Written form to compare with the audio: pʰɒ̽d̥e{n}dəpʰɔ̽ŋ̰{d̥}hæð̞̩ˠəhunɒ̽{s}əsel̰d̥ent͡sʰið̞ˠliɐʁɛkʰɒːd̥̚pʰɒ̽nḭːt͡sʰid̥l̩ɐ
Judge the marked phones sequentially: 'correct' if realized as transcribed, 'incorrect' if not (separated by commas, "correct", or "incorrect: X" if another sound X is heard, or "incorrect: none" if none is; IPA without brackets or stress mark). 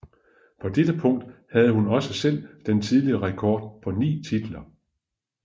incorrect: none, correct, correct